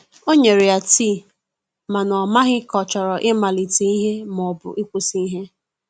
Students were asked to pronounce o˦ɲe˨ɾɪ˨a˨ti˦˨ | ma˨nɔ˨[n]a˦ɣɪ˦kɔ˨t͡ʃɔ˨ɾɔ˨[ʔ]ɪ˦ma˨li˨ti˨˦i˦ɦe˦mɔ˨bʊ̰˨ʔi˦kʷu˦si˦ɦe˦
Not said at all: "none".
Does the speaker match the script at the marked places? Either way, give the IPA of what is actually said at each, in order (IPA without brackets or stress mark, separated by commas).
m, ʔ